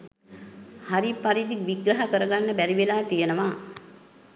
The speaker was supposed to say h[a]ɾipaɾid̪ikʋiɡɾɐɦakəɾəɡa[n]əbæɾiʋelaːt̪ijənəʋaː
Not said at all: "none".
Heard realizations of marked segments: a, nː

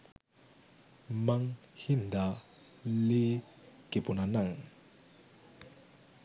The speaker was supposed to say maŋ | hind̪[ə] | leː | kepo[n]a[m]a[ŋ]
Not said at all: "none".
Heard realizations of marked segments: a, n, n, ŋ

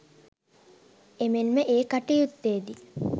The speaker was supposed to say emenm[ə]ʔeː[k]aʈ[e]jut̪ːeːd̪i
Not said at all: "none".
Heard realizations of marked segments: ə, k, i

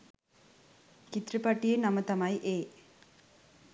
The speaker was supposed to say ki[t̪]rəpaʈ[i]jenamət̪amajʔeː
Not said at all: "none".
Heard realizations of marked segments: t̪, i

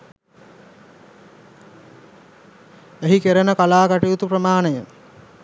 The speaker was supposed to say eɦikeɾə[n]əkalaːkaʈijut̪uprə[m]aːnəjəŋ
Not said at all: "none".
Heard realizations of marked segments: n, m

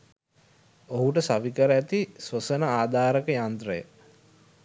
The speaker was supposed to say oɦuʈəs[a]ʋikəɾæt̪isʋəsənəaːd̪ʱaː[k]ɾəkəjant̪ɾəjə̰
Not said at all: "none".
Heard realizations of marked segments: a, none

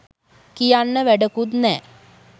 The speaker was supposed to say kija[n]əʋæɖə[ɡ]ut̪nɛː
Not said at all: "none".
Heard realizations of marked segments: nː, k

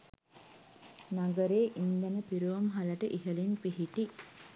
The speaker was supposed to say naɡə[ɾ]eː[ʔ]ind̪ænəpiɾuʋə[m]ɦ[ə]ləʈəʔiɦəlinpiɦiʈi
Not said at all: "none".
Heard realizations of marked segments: ɾ, ʔ, m, a

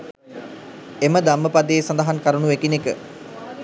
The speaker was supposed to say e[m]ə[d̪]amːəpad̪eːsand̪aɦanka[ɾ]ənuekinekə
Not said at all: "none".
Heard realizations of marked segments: m, d̪, ɾ

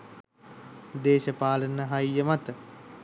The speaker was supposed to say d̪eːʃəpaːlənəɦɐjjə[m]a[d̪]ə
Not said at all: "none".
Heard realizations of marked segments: m, t̪

